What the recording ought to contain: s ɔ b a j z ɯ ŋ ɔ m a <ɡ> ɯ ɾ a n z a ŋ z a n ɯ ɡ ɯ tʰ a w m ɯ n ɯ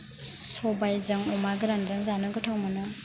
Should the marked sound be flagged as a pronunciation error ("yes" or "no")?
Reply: no